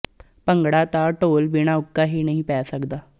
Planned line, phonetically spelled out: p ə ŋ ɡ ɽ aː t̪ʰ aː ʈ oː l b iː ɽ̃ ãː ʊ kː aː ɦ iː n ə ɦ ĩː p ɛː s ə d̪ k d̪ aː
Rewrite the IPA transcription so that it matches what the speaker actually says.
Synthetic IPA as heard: p ə ŋ ɡ ɽ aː t̪ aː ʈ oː l b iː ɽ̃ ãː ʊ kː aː ɦ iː n ə ɦ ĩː p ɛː s ə k d̪ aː

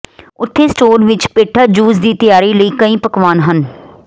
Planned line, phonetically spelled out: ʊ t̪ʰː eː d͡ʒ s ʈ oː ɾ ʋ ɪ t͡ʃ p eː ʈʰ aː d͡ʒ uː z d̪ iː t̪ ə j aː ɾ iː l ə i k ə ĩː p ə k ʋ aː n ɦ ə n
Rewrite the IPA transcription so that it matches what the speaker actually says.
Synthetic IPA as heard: ʊ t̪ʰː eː s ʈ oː ɾ ʋ ɪ t͡ʃ p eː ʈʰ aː d͡ʒ uː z d̪ iː t̪ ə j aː ɾ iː l ə iː k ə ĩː p ə k ʋ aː n ɦ ə n

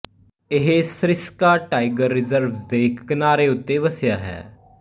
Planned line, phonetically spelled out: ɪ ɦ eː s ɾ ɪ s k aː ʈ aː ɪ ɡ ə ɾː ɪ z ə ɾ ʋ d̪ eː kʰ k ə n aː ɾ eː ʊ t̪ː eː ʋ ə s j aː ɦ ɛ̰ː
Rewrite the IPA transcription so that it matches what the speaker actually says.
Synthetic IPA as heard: ɪ ɦ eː s ɾ ɪ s k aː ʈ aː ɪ ɡ ə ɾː ɪ z ə ɾ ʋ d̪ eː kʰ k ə n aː ɾ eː ʊ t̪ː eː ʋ ə s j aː ɦ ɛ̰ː

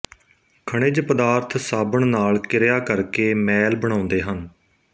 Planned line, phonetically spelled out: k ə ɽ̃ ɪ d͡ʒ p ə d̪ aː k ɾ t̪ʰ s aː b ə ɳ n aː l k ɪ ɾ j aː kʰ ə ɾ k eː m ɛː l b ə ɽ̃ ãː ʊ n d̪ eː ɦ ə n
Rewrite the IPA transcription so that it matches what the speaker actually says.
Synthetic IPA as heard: kʰ ə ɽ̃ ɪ d͡ʒ p ə d̪ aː ɾ t̪ʰ s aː b ə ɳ n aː l k ɪ ɾ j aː k ə ɾ k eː m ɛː l b ə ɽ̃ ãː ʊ n d̪ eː ɦ ə n

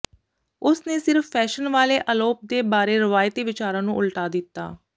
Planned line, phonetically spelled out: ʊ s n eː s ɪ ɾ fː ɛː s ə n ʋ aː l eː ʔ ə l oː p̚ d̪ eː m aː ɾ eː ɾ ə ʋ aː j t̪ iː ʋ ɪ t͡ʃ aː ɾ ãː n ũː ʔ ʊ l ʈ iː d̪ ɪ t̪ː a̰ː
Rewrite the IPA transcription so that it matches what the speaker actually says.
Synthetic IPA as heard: ʊ s n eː s ɪ ɾ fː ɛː ʃ ə n ʋ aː l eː ʔ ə l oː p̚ d̪ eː b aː ɾ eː ɾ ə ʋ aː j t̪ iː ʋ ɪ t͡ʃ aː ɾ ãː n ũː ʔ ʊ l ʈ aː d̪ ɪ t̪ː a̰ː

